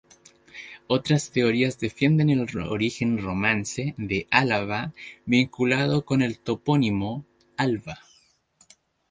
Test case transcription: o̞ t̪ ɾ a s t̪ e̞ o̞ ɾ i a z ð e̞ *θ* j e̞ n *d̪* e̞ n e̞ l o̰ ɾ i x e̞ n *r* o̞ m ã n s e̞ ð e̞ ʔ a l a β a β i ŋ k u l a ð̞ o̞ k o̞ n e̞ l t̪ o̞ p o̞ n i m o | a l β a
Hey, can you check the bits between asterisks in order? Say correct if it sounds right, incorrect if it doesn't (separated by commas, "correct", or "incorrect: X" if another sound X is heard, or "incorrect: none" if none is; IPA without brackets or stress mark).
incorrect: f, correct, correct